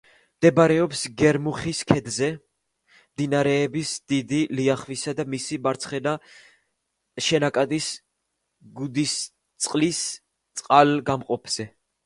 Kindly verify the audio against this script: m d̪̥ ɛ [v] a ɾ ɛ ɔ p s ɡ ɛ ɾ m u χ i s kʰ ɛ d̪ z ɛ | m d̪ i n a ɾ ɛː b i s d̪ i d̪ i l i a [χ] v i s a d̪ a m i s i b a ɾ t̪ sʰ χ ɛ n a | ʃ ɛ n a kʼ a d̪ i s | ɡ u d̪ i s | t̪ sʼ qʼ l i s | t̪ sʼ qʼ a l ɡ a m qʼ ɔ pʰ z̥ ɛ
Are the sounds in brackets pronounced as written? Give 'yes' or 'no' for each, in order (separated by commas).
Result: no, yes